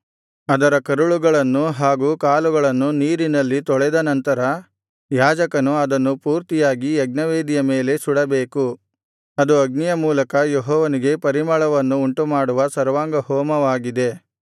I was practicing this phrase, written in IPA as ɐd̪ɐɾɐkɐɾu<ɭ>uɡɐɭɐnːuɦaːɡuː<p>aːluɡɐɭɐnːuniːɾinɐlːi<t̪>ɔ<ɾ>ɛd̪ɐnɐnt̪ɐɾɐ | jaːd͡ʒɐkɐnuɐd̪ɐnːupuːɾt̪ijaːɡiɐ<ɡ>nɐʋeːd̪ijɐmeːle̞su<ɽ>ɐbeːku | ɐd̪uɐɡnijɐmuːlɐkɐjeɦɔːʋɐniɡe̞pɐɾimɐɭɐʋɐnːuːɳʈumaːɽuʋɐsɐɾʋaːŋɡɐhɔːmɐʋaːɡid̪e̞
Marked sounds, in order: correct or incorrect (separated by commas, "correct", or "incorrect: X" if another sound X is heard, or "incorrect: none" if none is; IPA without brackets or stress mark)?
correct, incorrect: k, correct, incorrect: ɭ, correct, correct